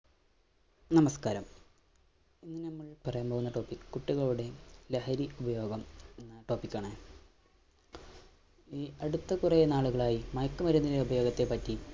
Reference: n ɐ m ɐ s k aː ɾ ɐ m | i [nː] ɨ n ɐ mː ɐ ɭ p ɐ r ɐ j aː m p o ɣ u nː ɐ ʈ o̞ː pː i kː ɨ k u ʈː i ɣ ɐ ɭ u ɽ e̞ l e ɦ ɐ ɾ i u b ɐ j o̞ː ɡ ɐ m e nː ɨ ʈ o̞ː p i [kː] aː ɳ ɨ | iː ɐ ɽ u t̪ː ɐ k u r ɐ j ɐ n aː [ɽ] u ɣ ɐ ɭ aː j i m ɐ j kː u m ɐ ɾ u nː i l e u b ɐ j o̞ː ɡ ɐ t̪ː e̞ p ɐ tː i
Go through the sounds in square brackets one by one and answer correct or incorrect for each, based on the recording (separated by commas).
correct, correct, incorrect